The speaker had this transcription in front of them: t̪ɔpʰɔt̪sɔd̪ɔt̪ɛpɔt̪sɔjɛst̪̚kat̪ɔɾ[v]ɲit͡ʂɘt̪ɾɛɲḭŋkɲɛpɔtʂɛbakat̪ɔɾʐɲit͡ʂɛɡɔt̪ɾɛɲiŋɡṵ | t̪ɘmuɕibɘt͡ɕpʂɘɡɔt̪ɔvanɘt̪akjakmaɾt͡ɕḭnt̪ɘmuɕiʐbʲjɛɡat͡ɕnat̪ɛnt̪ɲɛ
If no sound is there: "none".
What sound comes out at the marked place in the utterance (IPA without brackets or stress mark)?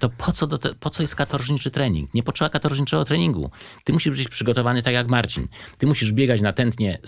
ʐ